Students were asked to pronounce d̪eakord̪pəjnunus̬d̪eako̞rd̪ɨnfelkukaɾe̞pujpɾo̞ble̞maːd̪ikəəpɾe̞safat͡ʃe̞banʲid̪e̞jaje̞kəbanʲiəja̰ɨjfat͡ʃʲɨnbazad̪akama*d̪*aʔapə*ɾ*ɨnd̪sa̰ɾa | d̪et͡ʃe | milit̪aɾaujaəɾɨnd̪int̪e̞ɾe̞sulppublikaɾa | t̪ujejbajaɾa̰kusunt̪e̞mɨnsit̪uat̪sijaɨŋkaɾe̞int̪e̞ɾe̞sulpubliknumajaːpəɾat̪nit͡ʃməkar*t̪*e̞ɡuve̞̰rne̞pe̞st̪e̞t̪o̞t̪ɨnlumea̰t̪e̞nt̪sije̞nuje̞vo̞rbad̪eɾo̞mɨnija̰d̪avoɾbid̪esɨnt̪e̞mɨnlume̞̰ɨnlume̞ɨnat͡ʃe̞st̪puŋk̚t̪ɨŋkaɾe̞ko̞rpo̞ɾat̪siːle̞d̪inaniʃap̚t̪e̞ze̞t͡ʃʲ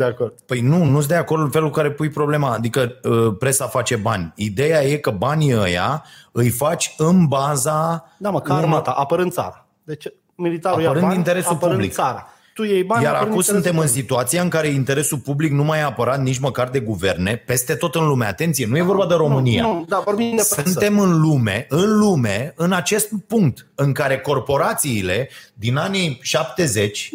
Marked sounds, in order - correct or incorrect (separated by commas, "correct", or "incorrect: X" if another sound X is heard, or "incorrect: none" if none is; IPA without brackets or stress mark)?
incorrect: t̪, correct, incorrect: d̪